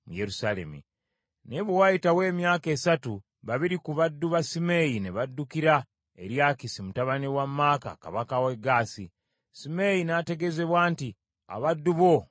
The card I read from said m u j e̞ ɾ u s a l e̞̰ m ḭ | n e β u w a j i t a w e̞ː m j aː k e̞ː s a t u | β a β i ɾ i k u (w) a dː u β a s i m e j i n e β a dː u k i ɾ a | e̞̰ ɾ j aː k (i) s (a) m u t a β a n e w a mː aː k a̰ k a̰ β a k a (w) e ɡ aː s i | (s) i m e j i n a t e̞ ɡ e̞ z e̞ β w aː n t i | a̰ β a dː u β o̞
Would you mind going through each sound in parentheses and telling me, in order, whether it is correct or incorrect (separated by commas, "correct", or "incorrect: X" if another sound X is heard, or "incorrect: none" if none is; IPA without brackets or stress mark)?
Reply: incorrect: β, correct, incorrect: i, correct, correct